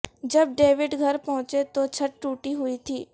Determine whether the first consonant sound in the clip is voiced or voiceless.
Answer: voiced